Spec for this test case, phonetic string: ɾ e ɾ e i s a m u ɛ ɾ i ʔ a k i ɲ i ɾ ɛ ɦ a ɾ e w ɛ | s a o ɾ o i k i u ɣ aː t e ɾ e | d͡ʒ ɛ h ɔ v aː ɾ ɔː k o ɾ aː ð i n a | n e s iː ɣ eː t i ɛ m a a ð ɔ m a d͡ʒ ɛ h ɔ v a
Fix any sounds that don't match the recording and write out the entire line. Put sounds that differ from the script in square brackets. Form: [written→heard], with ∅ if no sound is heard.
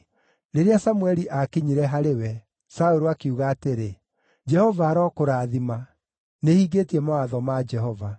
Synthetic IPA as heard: ɾ e ɾ e [i→a] s a m u ɛ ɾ i ʔ a k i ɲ i ɾ ɛ ɦ a ɾ e w ɛ | s a o ɾ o [i→a] k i u ɣ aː t e ɾ e | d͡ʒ ɛ h ɔ v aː ɾ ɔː k o ɾ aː ð i [n→m] a | n e [s→h] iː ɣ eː t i ɛ m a a ð ɔ m a d͡ʒ ɛ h ɔ v a